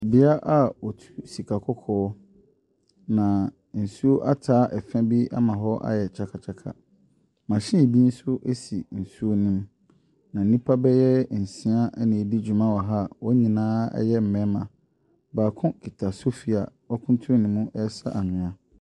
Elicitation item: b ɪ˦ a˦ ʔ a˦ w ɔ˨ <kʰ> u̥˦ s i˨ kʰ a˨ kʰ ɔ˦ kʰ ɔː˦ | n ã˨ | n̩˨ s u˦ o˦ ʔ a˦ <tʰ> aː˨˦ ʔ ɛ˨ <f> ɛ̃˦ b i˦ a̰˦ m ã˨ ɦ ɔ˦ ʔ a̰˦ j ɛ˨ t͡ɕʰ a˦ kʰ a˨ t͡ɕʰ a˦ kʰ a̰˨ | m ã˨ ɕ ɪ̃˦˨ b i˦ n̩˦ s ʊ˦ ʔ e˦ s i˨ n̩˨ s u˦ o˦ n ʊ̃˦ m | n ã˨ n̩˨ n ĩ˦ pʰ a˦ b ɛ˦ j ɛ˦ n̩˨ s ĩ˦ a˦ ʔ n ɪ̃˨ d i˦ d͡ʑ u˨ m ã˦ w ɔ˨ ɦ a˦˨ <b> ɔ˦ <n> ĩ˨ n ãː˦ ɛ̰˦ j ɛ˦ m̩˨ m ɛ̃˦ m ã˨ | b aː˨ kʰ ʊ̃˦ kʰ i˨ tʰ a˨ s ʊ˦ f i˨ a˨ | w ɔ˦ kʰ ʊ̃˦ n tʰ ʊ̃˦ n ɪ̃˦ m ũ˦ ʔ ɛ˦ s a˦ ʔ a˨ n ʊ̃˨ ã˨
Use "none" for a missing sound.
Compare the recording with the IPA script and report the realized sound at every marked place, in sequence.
tʰ, tʰ, f, w, ɲ

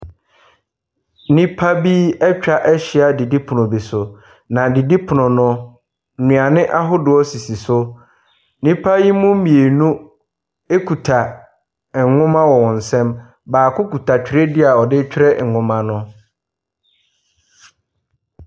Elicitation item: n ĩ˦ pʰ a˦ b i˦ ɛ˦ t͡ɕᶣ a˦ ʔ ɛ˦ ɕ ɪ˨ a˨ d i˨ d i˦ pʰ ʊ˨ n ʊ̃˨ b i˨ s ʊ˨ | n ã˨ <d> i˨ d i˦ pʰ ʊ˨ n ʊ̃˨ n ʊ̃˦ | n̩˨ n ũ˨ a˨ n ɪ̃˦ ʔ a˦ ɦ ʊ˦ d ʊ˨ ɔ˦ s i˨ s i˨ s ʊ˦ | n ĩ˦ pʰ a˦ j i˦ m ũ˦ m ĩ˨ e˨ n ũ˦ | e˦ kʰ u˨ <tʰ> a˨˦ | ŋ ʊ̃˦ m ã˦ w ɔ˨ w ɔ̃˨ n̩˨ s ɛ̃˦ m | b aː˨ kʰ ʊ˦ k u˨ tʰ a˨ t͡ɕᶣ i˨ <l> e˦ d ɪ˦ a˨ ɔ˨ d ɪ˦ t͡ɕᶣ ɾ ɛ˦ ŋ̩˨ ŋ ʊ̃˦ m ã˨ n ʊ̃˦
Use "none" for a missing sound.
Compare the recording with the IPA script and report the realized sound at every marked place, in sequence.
d, tʰ, ɾ

